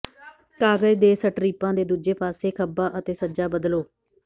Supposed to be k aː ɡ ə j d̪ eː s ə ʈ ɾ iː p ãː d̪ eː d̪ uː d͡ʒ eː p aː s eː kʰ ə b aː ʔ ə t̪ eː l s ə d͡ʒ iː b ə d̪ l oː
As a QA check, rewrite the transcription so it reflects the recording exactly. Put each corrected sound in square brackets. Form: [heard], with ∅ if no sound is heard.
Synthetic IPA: k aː ɡ ə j d̪ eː s ə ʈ ɾ iː p ãː d̪ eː d̪ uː d͡ʒ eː p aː s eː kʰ ə b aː ʔ ə t̪ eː [∅] s ə d͡ʒ [aː] b ə d̪ l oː